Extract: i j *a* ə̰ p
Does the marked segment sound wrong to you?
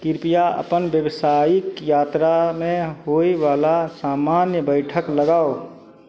no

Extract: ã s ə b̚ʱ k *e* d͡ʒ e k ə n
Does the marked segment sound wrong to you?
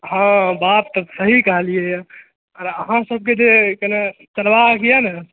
no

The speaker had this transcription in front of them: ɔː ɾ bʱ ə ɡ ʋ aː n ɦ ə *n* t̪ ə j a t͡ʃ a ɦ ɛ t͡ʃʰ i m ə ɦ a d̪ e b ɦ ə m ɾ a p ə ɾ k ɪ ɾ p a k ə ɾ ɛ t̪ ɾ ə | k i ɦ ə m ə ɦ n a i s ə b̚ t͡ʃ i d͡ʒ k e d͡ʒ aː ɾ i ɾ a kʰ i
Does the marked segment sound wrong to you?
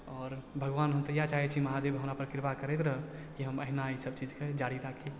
yes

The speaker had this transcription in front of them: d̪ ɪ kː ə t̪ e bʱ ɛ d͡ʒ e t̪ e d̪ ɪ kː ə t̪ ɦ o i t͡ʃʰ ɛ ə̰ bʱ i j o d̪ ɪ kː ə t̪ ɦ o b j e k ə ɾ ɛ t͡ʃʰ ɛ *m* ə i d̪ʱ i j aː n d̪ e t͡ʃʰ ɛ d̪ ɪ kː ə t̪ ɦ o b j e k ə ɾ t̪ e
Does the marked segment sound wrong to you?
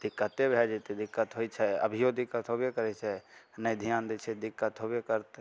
yes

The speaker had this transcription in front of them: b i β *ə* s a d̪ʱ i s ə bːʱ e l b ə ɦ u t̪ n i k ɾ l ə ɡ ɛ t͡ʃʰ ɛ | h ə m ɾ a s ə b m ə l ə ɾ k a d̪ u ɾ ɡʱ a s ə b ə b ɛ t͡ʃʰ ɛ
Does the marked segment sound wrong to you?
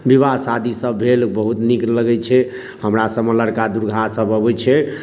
yes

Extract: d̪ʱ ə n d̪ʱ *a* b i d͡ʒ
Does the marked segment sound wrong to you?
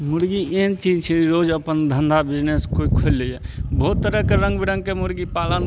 no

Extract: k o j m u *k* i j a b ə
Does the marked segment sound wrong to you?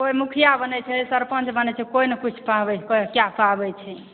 yes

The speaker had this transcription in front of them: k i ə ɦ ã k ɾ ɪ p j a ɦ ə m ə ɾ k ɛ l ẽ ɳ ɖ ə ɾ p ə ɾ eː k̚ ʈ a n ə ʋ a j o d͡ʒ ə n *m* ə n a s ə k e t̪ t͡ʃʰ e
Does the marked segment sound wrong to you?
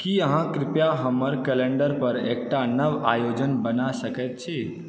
yes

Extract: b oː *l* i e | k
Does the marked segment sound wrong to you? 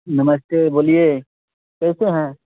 no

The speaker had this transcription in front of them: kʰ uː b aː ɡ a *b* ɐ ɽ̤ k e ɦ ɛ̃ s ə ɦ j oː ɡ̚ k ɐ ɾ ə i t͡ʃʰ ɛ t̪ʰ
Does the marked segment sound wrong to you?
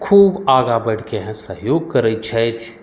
no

